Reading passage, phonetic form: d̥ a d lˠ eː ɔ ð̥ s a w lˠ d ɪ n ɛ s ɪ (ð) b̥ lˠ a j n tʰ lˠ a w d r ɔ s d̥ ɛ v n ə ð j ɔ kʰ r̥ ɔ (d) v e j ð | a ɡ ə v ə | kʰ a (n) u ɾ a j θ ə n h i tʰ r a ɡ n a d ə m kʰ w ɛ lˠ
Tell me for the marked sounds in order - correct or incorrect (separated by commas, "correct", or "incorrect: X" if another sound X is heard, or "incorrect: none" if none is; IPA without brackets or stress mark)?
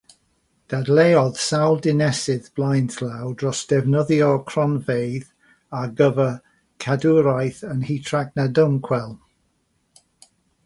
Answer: correct, incorrect: n, incorrect: d